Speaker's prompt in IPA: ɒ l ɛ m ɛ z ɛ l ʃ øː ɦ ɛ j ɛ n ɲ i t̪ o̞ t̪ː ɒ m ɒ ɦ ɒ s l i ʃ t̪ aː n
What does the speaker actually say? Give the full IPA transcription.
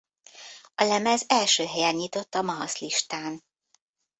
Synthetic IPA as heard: ɒ l ɛ m ɛ z ɛ l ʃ øː ɦ ɛ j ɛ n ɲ i t̪ o̞ t̪ː ɒ m ɒ ɦ ɒ s l i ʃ t̪ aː n